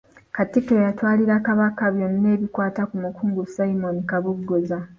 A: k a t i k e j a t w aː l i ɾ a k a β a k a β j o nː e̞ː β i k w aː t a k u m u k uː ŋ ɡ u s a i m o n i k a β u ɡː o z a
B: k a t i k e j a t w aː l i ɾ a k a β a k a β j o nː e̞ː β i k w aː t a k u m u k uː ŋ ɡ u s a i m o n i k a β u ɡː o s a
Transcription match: A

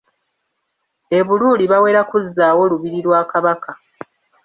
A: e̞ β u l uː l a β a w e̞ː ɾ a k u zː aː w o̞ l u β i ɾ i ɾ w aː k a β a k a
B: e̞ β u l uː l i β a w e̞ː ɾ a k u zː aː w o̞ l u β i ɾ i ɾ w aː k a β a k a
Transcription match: B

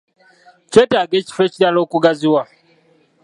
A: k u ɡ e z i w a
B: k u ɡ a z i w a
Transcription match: B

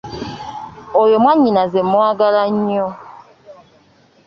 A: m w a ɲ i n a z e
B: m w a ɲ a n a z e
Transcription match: A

